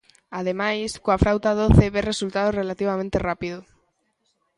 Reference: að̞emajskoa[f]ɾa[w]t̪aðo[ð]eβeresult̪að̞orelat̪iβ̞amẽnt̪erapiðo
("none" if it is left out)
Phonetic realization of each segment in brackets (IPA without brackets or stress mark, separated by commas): f, w, θ